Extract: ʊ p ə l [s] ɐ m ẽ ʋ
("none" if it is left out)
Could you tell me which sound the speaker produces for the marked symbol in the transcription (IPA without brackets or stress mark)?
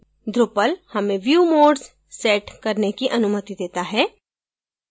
h